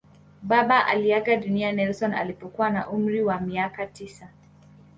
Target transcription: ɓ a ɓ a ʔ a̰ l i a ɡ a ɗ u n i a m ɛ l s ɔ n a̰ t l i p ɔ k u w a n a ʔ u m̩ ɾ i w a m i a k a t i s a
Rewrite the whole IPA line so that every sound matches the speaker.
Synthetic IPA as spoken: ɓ a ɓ a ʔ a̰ l i a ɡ a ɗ u n i a n ɛ l s ɔ n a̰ l i p ɔ k u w a n a ʔ u m̩ ɾ i w a m i a k a t i s a

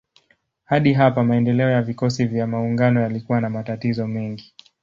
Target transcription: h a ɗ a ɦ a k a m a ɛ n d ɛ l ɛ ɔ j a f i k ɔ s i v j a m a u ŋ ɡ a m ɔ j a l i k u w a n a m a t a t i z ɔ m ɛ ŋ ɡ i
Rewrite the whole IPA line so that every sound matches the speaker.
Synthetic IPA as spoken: h a ɗ i ɦ a p a m a ɛ n d ɛ l ɛ ɔ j a v i k ɔ s i v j a m a u ŋ ɡ a n ɔ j a l i k u w a n a m a t a t i z ɔ m ɛ ŋ ɡ i

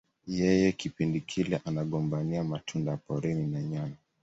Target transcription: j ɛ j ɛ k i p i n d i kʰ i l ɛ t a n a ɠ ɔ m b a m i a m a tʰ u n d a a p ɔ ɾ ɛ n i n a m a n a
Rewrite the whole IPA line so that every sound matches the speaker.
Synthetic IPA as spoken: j ɛ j ɛ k i p i n d i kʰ i l ɛ ʔ a n a ɠ ɔ m b a n i a m a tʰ u n d a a p ɔ ɾ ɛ n i n a ɲ a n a

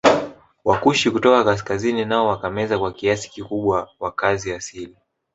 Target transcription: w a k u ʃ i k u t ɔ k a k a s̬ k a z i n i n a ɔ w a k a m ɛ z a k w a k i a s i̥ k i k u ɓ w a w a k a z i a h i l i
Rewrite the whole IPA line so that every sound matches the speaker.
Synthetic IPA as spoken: w a k u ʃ i k u t ɔ k a k a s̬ k a z i n i n a ɔ w a k a m ɛ z a k w a k i a s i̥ k i k u ɓ w a w a k a z i a s i l i

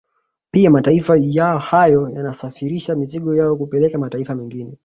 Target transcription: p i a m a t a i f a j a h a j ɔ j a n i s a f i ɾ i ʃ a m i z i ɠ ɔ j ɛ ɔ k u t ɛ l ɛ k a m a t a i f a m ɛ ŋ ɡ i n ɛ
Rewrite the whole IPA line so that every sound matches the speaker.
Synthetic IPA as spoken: p i a m a t a i f a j a h a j ɔ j a n a s a f i ɾ i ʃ a m i z i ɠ ɔ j a ɔ k u p ɛ l ɛ k a m a t a i f a m ɛ ŋ ɡ i n ɛ

